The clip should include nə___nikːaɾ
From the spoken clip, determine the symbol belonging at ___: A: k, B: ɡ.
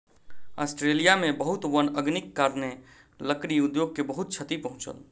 B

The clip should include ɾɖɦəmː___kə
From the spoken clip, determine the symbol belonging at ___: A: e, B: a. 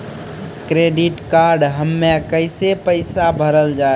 A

